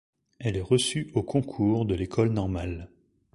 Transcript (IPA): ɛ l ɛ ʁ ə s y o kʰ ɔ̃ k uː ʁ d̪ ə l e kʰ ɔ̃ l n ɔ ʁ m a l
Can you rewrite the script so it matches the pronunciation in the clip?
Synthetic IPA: ɛ l ɛ ʁ ə s y o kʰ ɔ̃ kʰ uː ʁ d̪ ə l e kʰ ɔ l n ɔ ʁ m a l